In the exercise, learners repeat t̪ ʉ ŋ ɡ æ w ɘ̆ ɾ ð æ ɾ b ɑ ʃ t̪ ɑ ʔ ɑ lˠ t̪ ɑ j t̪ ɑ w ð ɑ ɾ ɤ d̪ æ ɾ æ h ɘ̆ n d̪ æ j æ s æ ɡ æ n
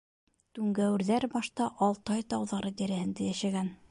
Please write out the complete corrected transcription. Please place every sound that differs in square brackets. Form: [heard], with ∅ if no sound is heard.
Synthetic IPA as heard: t̪ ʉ ŋ ɡ æ w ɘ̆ ɾ ð æ ɾ b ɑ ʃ t̪ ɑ ʔ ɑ lˠ t̪ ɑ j t̪ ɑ w ð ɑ ɾ ɤ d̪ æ ɾ æ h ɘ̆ n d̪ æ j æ [ʃ] æ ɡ æ n